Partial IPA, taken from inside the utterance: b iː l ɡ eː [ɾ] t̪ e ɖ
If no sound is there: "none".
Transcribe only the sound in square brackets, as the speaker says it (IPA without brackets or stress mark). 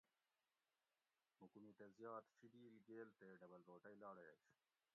l